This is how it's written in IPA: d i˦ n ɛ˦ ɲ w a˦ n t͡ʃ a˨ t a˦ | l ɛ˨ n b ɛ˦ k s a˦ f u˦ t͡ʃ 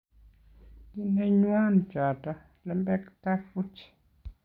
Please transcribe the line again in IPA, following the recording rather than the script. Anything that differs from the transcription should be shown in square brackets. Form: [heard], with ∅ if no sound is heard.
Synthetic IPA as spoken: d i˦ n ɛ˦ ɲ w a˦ n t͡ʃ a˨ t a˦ | l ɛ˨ [m] b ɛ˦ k [t] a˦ f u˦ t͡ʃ